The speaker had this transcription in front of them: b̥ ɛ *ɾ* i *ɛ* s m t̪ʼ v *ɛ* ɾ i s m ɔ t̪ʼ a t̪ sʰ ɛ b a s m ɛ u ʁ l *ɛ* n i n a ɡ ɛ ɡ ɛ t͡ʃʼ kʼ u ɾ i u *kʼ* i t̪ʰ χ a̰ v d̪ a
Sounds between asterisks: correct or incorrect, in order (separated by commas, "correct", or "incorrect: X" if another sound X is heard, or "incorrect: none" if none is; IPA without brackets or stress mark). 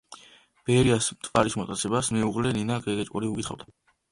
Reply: correct, incorrect: a, incorrect: a, correct, correct